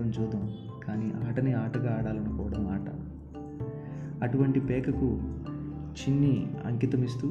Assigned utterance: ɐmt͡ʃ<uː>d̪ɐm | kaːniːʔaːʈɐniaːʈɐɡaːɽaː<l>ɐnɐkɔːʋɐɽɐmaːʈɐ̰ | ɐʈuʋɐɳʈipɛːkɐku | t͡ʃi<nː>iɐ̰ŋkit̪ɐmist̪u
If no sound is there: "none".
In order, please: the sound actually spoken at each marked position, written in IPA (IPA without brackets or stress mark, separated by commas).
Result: uː, l, nː